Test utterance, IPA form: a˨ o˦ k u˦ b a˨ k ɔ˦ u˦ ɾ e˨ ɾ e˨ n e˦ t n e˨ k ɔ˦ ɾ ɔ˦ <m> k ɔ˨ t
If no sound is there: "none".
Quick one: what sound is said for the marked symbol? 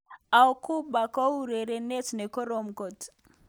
m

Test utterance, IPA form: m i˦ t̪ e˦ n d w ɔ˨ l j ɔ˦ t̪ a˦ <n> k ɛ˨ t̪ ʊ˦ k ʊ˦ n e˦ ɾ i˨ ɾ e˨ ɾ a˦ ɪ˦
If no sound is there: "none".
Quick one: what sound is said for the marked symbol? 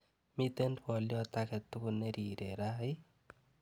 none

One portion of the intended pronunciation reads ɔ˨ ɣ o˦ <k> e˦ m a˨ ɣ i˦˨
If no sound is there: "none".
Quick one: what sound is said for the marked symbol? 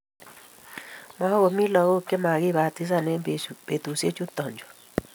k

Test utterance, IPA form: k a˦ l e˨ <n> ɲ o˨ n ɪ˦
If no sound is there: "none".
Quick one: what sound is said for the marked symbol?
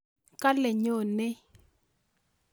none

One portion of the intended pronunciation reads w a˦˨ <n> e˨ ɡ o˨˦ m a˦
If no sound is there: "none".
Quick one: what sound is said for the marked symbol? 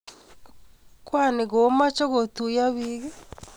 n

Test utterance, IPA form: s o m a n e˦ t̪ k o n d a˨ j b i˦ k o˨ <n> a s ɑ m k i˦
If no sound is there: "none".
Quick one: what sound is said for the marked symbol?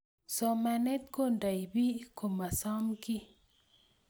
m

